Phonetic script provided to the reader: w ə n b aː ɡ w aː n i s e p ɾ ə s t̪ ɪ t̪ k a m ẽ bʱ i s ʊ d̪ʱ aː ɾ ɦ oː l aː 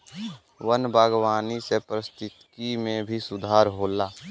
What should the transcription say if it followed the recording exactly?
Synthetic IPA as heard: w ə n b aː ɡ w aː n i s e p ɾ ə s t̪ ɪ t̪ k i m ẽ bʱ i s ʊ d̪ʱ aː ɾ ɦ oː l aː